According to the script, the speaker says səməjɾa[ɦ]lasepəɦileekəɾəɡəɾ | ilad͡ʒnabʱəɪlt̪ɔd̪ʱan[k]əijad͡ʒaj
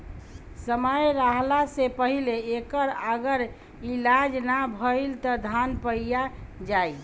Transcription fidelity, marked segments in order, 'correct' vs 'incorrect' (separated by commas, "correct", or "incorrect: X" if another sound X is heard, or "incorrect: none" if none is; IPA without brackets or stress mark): correct, incorrect: p